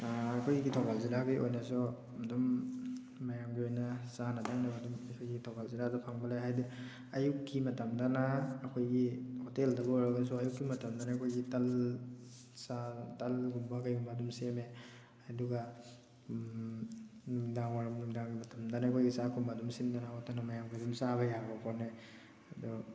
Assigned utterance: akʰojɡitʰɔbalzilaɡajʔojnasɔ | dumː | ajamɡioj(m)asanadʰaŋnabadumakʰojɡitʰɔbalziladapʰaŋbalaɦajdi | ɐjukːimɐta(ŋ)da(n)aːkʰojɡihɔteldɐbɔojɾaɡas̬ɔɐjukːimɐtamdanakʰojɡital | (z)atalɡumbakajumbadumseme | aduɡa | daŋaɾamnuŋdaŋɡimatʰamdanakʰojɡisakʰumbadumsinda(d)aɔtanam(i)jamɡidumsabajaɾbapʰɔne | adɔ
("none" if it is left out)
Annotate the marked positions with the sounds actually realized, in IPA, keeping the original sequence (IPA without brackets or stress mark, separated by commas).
n, m, n, s, n, a